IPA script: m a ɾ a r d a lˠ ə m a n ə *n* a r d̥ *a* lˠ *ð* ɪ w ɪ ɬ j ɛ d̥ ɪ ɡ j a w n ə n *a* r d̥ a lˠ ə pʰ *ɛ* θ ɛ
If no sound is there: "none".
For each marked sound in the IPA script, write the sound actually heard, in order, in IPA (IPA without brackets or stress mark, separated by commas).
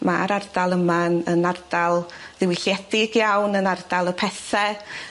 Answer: n, a, ð, a, ɛ